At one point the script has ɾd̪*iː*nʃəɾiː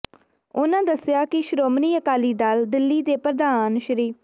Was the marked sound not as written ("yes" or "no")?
yes